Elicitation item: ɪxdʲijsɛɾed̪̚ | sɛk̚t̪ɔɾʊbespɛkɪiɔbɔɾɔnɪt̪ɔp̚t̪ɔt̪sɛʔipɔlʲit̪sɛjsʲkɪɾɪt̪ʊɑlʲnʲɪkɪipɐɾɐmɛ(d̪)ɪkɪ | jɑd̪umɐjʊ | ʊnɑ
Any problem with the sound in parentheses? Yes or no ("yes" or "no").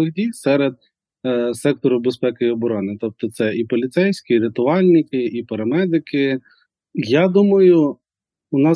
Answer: no